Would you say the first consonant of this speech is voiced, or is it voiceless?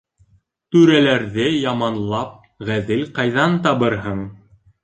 voiceless